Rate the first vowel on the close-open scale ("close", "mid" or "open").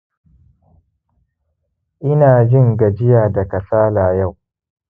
close